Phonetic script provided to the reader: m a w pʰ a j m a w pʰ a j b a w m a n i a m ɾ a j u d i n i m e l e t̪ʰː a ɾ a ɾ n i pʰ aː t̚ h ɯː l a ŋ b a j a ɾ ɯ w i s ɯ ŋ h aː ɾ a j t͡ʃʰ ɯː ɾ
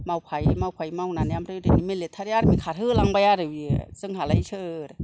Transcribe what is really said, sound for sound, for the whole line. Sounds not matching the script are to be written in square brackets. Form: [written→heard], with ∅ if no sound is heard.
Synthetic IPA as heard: m a w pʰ a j m a w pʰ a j [b→m] a w [m→n] a n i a m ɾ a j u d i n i m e l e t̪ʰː a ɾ a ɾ [n→m] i [pʰ→kʰ] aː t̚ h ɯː l a ŋ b a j a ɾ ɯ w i s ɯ ŋ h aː [ɾ→l] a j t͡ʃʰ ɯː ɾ